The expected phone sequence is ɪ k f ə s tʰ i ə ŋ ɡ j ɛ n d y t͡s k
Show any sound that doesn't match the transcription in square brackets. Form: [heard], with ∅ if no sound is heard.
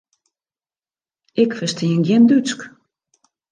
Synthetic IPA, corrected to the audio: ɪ k f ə s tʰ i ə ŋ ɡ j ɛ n d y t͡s k